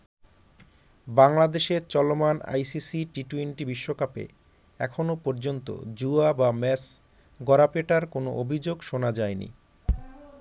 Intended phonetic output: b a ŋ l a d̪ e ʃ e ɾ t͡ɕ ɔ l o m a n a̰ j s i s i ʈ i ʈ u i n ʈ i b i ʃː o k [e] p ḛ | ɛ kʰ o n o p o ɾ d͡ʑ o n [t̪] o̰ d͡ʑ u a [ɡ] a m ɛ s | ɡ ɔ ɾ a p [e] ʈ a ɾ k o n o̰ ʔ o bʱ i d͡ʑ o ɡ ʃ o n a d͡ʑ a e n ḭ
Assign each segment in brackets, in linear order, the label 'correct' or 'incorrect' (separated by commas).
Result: incorrect, correct, incorrect, correct